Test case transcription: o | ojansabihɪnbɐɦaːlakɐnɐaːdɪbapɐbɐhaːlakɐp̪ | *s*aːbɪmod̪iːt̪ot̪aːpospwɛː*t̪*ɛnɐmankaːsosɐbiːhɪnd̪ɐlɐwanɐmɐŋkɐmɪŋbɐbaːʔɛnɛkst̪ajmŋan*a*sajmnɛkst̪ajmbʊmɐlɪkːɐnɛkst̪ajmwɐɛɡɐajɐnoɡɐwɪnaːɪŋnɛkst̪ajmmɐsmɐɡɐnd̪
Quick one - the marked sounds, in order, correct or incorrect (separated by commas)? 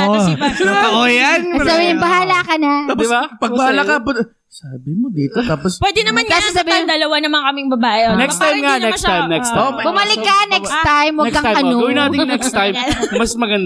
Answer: correct, incorrect, incorrect